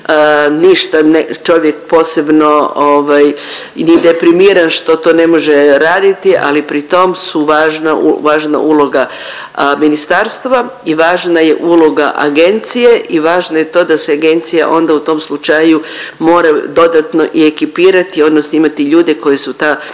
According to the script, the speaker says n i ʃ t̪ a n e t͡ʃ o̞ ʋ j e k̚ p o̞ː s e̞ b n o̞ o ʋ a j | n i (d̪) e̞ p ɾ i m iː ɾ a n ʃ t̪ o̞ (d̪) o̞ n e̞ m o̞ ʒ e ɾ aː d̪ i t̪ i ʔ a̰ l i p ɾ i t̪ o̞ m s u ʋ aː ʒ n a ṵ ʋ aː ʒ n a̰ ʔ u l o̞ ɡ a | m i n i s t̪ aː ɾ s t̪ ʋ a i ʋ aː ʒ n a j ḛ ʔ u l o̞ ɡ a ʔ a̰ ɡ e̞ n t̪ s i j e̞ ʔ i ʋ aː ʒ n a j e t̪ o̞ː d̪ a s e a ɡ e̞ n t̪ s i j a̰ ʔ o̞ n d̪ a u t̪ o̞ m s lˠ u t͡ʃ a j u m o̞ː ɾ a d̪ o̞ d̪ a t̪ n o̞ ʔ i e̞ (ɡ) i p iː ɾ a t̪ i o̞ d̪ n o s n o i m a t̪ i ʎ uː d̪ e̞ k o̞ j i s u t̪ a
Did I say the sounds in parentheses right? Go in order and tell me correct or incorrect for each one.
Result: correct, incorrect: t̪, incorrect: k

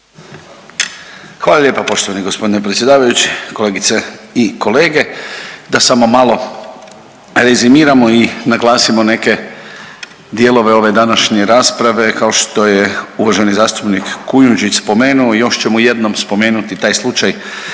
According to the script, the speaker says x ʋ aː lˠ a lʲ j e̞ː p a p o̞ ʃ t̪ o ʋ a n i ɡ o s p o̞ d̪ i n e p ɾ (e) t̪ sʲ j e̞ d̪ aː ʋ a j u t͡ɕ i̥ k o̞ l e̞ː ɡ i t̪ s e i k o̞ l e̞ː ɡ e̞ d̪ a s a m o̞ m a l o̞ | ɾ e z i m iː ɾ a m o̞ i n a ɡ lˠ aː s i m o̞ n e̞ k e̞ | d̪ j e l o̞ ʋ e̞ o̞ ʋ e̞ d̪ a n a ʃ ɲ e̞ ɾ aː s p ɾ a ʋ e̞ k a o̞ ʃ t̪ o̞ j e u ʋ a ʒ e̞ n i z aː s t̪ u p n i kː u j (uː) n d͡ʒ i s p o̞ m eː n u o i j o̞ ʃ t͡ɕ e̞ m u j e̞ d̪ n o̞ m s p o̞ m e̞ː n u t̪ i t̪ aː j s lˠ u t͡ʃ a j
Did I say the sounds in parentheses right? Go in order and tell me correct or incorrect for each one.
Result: correct, incorrect: u

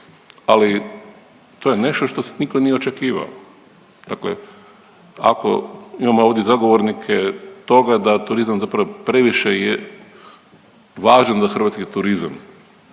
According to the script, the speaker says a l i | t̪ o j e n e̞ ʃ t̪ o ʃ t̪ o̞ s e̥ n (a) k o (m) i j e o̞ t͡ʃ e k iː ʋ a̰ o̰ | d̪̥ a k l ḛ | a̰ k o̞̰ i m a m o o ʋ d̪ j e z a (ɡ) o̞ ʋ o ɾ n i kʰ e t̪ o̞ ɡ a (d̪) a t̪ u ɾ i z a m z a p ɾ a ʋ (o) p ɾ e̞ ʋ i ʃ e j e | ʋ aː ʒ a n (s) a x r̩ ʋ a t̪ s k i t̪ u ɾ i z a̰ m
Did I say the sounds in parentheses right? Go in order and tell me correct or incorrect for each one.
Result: incorrect: i, incorrect: n, correct, correct, correct, incorrect: z

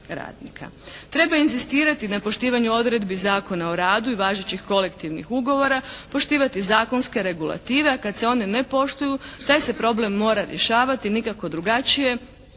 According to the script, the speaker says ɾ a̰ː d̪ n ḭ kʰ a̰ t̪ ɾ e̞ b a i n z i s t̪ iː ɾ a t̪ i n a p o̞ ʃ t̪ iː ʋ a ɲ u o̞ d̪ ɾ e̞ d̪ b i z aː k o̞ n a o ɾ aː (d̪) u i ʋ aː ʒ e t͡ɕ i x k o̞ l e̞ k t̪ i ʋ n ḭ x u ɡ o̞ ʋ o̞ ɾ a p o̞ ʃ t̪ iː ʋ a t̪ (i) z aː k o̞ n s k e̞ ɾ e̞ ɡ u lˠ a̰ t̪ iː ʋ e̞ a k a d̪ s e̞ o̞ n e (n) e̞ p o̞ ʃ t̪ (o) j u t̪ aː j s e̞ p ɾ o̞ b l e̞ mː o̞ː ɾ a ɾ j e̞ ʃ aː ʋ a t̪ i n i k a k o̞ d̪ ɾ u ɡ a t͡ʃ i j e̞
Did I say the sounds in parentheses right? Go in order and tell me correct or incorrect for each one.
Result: correct, correct, correct, incorrect: u

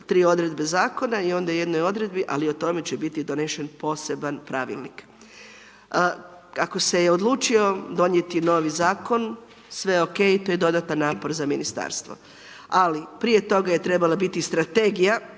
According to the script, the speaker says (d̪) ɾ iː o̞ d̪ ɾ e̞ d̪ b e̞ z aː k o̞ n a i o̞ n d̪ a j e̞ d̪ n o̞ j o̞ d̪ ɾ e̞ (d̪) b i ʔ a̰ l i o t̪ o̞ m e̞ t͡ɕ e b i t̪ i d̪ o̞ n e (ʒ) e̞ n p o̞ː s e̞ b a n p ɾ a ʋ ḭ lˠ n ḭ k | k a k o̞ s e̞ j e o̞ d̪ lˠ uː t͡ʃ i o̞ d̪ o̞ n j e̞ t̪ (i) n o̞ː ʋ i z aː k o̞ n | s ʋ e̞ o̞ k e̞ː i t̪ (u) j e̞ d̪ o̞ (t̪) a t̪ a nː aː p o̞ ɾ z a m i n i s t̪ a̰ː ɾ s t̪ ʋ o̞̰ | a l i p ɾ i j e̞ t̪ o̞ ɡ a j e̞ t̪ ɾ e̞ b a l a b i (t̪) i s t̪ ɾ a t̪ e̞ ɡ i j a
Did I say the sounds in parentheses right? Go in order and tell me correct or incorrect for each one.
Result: incorrect: t̪, correct, incorrect: ʃ, correct, incorrect: o, incorrect: d̪, correct

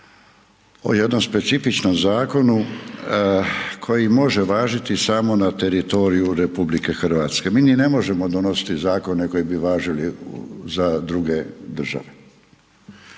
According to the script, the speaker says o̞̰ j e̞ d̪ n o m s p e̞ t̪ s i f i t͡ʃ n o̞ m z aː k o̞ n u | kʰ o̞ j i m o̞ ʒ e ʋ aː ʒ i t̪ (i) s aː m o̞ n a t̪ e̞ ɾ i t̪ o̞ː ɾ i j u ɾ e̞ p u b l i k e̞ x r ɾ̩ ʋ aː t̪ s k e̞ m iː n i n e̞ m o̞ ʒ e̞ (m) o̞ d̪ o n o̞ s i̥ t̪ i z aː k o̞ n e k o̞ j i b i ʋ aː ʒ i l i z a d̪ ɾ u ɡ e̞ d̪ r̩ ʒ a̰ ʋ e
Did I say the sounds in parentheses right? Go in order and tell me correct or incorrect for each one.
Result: correct, correct

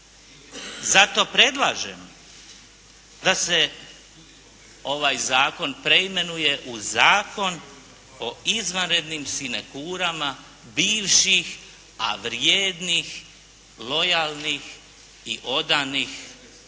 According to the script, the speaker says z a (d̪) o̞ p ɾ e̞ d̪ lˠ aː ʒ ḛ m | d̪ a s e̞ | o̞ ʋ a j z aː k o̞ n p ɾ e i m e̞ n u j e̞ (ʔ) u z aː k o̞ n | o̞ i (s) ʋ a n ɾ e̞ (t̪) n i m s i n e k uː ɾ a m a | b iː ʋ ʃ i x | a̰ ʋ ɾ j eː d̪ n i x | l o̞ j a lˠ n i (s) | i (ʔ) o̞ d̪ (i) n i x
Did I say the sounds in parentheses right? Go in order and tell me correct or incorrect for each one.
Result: incorrect: t̪, correct, incorrect: z, incorrect: d̪, incorrect: x, correct, incorrect: a

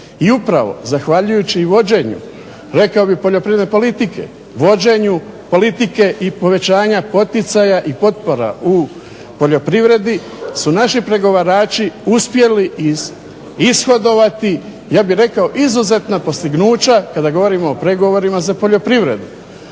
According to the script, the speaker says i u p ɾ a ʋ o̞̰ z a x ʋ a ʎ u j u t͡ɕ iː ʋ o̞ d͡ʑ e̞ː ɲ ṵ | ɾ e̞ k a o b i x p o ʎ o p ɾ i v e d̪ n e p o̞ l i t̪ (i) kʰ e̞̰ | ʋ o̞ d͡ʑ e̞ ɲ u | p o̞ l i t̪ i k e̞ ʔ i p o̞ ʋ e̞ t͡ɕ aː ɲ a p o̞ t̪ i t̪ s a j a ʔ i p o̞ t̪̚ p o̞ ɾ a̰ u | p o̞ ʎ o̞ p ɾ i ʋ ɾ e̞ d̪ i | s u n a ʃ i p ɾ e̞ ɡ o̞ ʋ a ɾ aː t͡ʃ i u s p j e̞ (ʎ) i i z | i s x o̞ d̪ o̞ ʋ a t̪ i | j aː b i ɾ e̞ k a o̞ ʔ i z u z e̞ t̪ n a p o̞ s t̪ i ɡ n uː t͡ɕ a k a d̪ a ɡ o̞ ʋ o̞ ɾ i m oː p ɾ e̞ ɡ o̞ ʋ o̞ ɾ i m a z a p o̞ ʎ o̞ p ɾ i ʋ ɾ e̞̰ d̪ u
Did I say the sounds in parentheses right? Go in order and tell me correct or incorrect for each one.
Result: correct, incorrect: l

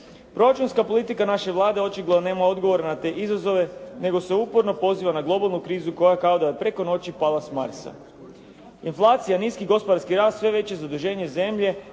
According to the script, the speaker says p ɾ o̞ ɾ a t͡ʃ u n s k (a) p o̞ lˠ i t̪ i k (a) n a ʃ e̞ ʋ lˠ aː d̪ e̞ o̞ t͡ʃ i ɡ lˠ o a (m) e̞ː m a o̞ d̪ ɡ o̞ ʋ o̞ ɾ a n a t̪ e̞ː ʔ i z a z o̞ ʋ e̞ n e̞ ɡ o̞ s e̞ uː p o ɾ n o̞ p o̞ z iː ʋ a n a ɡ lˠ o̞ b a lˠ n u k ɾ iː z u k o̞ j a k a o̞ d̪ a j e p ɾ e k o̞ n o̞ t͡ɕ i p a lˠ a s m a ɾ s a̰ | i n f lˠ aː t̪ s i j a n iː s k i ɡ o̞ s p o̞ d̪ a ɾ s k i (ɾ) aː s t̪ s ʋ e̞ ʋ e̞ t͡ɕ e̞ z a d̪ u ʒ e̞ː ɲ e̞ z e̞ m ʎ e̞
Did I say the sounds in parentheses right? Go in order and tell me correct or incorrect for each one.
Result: correct, correct, incorrect: n, correct

